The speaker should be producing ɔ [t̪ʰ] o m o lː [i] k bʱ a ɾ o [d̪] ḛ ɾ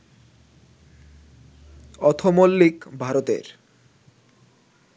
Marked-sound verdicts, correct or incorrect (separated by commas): correct, correct, incorrect